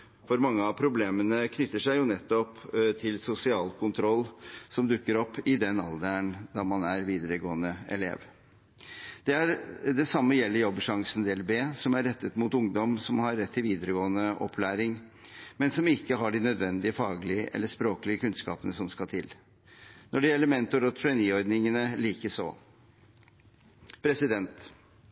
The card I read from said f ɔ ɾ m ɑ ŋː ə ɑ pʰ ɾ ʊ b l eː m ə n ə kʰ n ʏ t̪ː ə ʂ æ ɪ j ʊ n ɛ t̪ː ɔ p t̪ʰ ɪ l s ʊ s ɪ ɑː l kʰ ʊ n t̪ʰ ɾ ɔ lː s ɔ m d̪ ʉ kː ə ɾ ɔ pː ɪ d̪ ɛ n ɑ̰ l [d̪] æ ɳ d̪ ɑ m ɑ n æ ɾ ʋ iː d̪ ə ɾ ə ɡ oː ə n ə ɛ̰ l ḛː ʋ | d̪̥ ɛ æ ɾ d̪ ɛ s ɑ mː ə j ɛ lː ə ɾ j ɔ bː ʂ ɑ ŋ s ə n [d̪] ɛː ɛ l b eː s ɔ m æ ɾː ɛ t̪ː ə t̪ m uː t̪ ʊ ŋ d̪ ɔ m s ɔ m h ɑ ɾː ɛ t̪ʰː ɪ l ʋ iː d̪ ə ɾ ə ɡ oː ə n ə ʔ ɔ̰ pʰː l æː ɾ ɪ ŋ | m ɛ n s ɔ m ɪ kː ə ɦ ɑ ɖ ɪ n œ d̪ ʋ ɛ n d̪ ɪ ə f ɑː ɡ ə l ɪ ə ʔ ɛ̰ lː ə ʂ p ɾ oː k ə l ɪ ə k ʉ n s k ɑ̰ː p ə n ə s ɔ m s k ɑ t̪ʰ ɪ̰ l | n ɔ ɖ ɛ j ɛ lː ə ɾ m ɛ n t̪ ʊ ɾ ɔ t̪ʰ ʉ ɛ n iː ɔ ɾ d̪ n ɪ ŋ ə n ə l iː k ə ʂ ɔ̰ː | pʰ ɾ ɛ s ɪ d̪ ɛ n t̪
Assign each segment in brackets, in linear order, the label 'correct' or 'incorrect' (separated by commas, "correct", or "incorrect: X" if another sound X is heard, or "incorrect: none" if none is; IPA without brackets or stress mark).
correct, correct